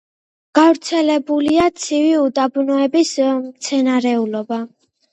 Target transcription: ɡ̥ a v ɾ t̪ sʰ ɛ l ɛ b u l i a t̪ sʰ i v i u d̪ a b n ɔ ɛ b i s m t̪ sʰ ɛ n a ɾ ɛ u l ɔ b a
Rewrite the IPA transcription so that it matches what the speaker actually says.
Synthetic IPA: ɡ̥ a v ɾ t̪ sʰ ɛ l ɛ b u l i a t̪ sʰ i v i u d̪ a b n ɔ ɛ b i s m t̪ sʰ ɛ n a ɾ ɛ u l ɔ b a